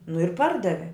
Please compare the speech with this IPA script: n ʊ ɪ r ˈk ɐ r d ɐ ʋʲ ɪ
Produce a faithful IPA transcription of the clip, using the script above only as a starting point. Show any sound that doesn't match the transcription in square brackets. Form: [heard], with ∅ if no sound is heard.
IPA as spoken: n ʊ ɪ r [ˈp] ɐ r d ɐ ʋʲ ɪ